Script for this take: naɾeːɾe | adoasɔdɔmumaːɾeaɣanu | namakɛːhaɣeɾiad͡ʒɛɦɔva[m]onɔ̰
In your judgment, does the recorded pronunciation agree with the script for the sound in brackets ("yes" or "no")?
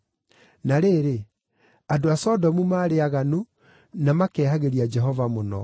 yes